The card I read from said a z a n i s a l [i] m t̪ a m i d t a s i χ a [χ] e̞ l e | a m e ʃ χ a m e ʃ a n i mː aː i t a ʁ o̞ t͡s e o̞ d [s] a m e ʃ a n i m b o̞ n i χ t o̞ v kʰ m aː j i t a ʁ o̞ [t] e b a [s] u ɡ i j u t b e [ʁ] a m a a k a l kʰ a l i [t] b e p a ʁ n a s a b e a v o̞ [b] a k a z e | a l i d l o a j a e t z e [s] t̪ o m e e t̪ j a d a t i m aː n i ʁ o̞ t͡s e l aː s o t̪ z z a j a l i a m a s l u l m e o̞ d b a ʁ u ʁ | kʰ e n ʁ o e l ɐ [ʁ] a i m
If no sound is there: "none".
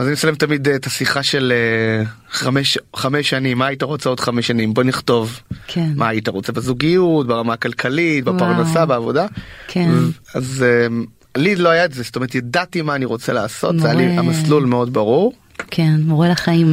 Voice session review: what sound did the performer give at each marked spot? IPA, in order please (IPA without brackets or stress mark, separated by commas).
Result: e, ʃ, χ, t͡s, z, ʁ, t, d, s, χ